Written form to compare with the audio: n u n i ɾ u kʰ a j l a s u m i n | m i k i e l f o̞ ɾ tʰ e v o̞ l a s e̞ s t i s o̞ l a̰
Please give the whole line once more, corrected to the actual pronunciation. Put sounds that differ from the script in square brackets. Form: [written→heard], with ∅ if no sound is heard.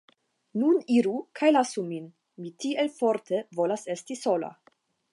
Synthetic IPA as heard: n u n i ɾ u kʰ a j l a s u m i n | m i [k→t] i e l f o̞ ɾ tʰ e v o̞ l a s e̞ s t i s o̞ l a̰